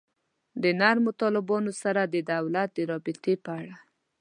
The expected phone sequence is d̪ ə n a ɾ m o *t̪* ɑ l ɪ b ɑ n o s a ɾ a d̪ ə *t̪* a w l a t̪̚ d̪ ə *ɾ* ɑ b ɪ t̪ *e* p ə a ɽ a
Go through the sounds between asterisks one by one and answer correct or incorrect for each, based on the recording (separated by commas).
correct, incorrect, correct, correct